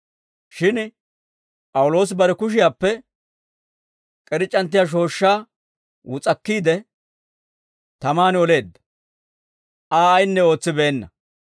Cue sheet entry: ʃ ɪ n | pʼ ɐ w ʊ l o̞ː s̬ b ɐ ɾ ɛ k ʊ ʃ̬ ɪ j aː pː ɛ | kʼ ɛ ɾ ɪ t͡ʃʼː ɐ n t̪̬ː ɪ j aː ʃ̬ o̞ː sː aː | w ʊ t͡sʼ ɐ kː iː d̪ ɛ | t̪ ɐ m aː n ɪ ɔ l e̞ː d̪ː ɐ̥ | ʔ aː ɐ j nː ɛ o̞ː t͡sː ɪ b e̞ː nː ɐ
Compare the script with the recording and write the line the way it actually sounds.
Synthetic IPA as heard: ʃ ɪ n | pʼ ɐ w ʊ l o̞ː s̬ b ɐ ɾ ɛ k ʊ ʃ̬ ɪ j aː pː ɛ | kʼ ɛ ɾ ɪ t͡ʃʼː ɐ n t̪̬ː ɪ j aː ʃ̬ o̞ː ʃː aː | w ʊ t͡sʼ ɐ kː iː d̪ ɛ | t̪ ɐ m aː n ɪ ɔ l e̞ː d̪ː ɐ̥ | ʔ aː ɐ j nː ɛ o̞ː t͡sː ɪ b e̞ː nː ɐ